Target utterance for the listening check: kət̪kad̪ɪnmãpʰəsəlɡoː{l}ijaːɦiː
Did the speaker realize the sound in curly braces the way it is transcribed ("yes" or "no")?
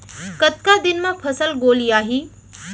yes